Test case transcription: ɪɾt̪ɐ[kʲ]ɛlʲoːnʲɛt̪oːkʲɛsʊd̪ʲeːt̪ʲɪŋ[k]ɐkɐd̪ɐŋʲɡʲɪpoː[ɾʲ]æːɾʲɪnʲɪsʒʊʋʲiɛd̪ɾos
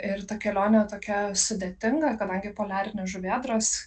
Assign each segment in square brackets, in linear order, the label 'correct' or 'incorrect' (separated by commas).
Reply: correct, incorrect, incorrect